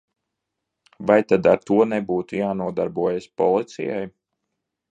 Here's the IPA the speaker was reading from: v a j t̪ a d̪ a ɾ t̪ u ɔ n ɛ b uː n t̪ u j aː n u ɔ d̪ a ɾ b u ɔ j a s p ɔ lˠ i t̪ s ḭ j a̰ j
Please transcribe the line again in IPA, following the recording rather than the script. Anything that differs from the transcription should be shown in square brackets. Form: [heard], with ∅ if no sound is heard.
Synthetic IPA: v a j t̪ a d̪ a ɾ t̪ u ɔ n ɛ b uː [∅] t̪ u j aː n u ɔ d̪ a ɾ b u ɔ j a s p ɔ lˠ i t̪ s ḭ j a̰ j